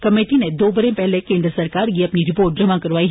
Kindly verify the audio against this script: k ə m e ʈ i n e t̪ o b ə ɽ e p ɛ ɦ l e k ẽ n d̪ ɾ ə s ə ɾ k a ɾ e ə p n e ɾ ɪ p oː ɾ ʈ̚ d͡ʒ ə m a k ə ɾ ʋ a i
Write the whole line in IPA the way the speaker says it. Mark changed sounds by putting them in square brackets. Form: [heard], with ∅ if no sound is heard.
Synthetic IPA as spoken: k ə m e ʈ i n e [d̪] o b ə [ɾ] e p ɛ ɦ l e k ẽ n d̪ ɾ ə s ə ɾ k a ɾ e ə p n [i] ɾ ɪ p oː ɾ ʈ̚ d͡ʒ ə m a k ə ɾ ʋ a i